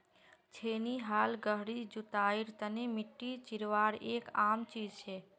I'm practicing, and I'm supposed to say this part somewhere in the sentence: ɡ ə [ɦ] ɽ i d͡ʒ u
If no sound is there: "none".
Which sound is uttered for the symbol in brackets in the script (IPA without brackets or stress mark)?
ɦ